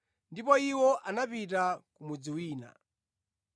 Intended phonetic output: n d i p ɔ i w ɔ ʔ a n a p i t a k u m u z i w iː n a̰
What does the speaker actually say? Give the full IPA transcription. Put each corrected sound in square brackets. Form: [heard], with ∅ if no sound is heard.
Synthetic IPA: n d i p ɔ i w ɔ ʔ a n a p i t a k u m u [d͡z] i w iː n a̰